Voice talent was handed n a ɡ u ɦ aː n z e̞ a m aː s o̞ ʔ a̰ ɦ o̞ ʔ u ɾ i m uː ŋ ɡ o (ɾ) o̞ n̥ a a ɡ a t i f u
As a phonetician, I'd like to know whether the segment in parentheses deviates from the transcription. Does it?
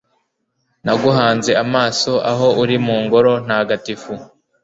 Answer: no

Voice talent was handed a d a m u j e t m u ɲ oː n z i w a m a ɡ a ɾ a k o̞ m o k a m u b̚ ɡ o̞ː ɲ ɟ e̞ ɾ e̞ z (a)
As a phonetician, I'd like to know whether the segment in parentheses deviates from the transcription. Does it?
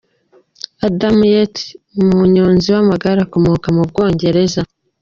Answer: no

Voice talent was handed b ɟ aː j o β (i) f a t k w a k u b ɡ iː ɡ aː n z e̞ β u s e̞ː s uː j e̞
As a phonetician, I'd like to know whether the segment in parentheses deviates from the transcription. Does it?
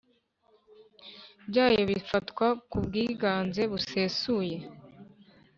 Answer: no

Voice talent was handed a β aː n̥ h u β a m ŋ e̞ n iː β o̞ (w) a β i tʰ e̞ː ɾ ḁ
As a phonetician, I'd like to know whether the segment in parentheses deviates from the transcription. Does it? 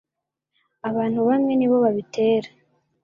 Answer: yes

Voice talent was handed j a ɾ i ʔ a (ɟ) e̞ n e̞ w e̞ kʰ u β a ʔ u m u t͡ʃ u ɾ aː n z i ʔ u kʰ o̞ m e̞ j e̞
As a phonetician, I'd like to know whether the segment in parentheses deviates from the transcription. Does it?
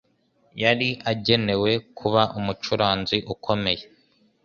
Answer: no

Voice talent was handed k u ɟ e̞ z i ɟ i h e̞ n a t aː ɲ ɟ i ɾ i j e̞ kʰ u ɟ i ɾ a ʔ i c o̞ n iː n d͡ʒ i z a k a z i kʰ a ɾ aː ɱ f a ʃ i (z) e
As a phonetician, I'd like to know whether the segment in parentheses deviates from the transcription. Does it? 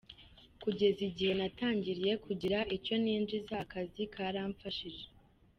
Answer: yes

